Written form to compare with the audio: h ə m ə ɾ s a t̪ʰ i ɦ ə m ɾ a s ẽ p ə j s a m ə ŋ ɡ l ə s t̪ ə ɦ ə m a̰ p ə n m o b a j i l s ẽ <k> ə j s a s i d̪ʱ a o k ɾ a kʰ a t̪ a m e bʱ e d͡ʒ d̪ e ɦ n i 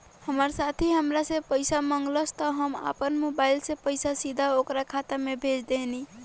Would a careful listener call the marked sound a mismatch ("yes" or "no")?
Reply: yes